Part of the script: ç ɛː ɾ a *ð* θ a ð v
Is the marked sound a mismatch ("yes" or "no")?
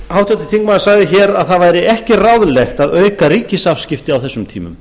no